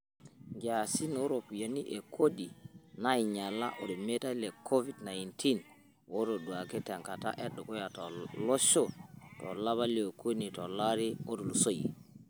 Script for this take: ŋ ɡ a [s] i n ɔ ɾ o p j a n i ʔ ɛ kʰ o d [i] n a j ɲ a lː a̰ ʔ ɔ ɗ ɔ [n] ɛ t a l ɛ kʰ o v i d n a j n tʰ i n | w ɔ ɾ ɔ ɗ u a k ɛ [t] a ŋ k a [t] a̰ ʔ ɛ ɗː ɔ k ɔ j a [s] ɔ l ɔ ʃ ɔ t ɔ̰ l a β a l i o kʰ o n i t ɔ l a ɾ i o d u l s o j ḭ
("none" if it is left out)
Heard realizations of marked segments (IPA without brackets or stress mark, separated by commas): s, i, m, t, t, t